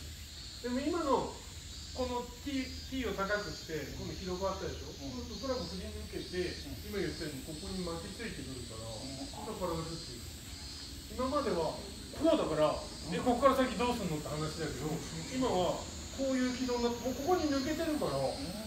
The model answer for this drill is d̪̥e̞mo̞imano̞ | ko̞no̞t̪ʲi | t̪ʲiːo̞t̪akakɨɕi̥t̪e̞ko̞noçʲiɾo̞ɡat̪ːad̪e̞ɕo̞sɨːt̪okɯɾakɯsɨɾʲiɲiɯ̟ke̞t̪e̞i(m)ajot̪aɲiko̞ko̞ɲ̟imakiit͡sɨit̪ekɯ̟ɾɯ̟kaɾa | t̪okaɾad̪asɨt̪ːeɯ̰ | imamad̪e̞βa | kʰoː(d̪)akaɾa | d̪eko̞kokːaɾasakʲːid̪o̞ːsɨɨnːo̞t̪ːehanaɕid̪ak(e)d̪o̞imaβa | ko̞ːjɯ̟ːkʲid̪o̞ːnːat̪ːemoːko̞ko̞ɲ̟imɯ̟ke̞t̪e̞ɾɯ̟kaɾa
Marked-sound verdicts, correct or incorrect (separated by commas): correct, correct, correct